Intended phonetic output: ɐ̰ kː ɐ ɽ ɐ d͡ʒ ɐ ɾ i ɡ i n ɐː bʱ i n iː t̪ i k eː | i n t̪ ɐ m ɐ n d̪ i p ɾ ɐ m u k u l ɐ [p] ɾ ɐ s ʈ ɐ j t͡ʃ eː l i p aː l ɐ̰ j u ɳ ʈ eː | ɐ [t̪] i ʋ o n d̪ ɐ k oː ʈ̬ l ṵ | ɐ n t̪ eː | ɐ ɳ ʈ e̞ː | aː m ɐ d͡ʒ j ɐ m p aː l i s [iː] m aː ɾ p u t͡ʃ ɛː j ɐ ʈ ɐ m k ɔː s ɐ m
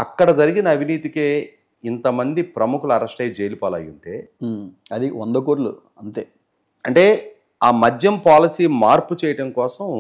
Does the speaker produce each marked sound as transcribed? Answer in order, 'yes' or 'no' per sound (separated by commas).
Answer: no, no, yes